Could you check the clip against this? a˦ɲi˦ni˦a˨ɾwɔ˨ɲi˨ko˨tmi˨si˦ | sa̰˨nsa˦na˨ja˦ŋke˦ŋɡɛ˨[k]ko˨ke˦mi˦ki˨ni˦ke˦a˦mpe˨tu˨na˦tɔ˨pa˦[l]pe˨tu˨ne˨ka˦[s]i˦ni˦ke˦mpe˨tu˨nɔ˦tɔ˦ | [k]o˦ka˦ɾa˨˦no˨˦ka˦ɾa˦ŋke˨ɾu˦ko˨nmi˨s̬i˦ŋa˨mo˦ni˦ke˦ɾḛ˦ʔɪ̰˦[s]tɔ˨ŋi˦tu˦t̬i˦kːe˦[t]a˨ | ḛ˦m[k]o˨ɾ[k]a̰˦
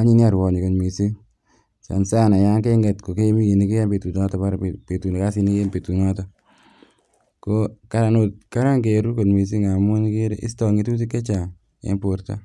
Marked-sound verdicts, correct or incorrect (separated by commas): incorrect, incorrect, correct, correct, correct, incorrect, incorrect, incorrect